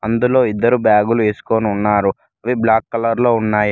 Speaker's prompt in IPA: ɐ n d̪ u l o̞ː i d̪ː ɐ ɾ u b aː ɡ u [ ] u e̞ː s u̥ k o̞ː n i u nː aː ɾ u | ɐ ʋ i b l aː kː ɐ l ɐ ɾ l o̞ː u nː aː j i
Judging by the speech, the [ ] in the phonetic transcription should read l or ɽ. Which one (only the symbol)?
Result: l